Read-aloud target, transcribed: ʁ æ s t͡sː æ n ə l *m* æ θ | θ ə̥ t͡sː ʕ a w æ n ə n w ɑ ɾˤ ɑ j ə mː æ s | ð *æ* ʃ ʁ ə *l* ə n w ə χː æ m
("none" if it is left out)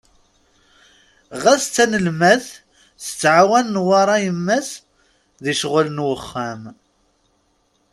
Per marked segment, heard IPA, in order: m, i, l

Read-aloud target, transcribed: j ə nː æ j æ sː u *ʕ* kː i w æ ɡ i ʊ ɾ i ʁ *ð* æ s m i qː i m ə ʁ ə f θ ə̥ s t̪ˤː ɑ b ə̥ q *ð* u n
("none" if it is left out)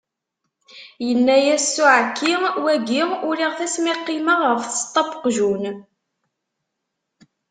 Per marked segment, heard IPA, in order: ʕ, θ, ʒ

